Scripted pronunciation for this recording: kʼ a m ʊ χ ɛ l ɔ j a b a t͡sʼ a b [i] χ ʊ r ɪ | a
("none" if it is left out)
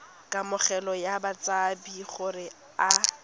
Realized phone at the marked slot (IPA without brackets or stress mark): i